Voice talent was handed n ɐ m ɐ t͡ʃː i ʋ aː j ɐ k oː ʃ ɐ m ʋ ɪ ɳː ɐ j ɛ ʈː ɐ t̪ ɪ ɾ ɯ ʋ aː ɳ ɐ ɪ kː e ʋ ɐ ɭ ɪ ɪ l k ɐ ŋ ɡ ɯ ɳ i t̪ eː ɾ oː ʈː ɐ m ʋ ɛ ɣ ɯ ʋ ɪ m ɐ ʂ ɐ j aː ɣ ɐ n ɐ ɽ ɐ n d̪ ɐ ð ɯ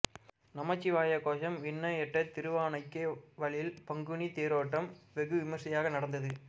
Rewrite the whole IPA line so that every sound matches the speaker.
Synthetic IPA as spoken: n ɐ m ɐ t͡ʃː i ʋ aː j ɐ k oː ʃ ɐ m ʋ ɪ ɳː ɐ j ɛ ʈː ɐ t̪ ɪ ɾ ɯ ʋ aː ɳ ɐ ɪ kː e ʋ ɐ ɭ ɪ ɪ l p ɐ ŋ ɡ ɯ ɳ i t̪ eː ɾ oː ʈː ɐ m ʋ ɛ ɣ ɯ ʋ ɪ m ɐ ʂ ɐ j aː ɣ ɐ n ɐ ɽ ɐ n d̪ ɐ ð ɯ